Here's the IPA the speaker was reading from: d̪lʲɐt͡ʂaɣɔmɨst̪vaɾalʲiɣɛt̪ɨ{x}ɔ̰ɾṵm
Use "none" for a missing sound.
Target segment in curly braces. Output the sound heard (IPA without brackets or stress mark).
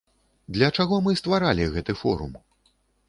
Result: f